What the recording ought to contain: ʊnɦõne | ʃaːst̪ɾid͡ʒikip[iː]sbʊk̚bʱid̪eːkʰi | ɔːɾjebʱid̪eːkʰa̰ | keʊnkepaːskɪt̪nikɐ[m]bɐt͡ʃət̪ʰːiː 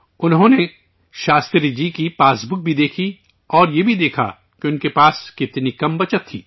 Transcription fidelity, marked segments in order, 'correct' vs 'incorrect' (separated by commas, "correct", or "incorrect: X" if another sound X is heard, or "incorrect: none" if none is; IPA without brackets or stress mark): incorrect: aː, correct